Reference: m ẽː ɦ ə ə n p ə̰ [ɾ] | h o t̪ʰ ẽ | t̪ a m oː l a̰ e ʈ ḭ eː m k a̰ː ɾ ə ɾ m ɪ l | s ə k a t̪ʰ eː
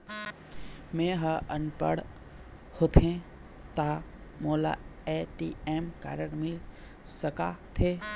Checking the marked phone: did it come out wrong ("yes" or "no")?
yes